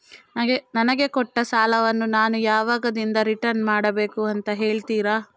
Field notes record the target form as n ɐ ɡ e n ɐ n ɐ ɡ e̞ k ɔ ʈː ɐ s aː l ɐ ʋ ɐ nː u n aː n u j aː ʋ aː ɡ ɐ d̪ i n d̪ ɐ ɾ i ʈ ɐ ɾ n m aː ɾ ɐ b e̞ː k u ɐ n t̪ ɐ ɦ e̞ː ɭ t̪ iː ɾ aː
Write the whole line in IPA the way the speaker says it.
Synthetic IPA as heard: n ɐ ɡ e n ɐ n ɐ ɡ e̞ k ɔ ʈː ɐ s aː l ɐ ʋ ɐ nː u n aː n u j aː ʋ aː ɡ ɐ d̪ i n d̪ ɐ ɾ i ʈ ɐ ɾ n m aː ɽ ɐ b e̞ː k u ɐ n t̪ ɐ ɦ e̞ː ɭ t̪ iː ɾ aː